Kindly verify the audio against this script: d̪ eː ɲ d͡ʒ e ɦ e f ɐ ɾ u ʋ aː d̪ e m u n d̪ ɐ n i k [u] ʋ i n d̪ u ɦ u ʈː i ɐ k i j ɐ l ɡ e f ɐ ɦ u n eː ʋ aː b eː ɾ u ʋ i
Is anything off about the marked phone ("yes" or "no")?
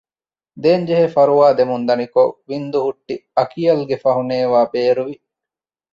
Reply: yes